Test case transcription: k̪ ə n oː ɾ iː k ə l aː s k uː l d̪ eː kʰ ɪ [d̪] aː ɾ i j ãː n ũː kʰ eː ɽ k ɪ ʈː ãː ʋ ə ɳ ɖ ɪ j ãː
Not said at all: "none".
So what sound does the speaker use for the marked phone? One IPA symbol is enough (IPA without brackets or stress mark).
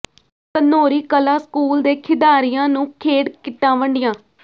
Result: d̪